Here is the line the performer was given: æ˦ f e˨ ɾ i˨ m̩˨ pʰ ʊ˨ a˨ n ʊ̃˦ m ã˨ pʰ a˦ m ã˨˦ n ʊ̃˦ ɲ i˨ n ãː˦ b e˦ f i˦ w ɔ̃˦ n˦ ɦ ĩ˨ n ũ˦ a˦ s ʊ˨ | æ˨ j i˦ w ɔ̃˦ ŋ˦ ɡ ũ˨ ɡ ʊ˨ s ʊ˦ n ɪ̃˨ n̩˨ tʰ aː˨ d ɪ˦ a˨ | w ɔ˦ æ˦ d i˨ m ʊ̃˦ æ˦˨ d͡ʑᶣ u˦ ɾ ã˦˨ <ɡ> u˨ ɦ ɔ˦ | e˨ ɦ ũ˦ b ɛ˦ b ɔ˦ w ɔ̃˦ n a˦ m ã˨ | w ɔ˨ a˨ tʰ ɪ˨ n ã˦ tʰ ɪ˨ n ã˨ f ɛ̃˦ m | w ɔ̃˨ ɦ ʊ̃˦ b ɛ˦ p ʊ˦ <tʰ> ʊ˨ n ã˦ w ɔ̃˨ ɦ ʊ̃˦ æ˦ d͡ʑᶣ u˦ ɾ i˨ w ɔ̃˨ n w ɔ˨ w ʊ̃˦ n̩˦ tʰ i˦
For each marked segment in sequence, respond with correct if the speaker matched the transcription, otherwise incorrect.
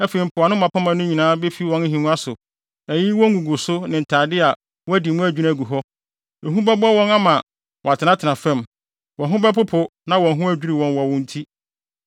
correct, incorrect: pʰ

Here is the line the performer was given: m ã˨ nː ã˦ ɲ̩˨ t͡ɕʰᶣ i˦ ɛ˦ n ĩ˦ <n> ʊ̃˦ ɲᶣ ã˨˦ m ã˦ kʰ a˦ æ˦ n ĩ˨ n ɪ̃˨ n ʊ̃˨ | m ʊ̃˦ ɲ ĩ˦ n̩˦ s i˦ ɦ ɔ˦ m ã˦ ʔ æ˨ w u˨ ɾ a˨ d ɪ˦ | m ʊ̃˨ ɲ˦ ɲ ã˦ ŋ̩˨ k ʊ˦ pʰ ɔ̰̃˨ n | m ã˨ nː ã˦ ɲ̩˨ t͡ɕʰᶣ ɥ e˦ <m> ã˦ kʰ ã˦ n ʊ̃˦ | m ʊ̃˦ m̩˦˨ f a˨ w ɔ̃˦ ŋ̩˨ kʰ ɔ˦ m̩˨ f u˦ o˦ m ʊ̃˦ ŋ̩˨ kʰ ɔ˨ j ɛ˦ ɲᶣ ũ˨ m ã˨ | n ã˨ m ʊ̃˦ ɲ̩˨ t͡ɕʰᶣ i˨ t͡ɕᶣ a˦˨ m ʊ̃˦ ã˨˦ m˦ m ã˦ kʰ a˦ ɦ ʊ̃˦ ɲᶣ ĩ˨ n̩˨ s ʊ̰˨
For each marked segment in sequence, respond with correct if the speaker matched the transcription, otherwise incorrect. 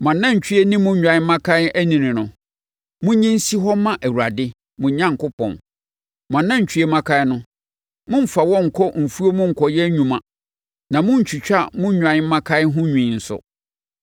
incorrect: m, correct

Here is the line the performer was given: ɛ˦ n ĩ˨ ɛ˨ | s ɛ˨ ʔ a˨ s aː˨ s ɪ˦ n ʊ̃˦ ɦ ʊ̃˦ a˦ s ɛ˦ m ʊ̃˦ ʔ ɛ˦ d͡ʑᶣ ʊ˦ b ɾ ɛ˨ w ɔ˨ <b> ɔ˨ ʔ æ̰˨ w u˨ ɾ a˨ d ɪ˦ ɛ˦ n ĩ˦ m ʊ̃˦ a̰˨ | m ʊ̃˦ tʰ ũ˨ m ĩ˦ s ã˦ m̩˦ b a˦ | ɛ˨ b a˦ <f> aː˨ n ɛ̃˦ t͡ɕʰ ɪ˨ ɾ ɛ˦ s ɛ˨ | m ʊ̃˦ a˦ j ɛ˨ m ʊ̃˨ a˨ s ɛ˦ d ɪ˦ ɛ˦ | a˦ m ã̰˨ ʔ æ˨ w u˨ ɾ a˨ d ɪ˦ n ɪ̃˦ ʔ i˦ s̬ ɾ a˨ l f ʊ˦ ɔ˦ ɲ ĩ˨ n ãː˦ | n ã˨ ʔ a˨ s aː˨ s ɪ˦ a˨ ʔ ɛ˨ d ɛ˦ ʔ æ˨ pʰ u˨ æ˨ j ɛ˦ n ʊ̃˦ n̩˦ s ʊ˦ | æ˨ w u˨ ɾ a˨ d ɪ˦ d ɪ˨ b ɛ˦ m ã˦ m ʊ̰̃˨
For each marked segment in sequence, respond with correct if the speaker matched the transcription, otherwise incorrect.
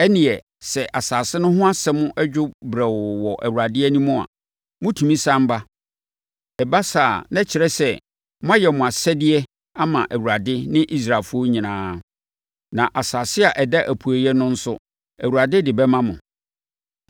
incorrect: w, incorrect: s

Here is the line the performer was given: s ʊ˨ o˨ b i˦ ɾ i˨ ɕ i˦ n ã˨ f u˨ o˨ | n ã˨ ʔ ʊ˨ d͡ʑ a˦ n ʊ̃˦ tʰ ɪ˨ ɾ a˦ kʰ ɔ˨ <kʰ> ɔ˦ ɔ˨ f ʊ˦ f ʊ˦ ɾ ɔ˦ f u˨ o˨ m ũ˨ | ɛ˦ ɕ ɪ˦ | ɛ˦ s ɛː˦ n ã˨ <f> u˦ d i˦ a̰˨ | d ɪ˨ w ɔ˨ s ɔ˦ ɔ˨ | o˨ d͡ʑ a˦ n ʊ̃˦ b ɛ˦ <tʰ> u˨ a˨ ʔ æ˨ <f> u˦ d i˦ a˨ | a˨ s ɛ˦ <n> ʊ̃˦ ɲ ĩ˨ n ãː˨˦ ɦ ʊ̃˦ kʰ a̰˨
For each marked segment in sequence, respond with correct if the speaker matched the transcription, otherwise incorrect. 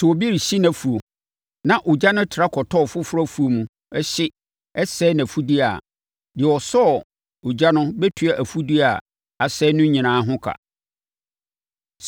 incorrect: tʰ, correct, correct, correct, correct

